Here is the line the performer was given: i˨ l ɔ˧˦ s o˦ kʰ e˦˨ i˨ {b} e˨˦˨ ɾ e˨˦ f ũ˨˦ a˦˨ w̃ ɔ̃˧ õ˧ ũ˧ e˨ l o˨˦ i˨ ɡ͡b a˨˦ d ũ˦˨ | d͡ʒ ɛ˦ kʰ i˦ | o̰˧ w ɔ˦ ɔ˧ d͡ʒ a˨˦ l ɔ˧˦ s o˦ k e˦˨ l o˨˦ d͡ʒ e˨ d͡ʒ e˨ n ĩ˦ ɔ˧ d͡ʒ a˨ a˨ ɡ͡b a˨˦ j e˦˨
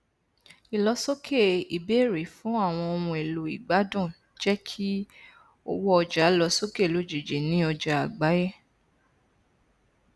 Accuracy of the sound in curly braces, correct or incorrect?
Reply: correct